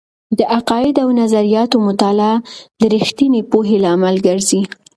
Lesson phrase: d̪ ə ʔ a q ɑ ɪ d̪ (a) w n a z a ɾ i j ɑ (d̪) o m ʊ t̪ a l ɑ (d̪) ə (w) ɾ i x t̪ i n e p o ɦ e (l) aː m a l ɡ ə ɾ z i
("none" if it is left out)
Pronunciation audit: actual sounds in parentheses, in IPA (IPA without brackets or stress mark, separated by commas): a, t̪, d̪, none, l